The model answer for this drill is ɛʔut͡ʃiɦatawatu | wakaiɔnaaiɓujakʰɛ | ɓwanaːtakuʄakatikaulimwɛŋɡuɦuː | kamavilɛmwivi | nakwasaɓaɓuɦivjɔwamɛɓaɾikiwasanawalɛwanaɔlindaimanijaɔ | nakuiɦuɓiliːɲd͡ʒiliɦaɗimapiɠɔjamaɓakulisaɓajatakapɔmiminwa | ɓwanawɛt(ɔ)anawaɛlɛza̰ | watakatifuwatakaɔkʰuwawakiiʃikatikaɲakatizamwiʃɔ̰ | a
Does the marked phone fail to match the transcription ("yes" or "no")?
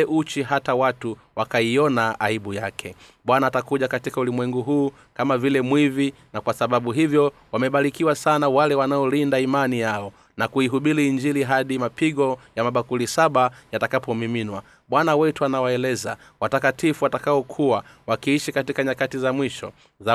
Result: yes